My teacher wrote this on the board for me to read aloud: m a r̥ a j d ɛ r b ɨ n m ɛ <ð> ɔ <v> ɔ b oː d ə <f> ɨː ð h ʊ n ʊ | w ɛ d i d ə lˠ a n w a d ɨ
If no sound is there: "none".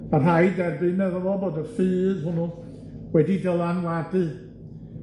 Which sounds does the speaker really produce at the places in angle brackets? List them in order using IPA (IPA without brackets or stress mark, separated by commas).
ð, v, f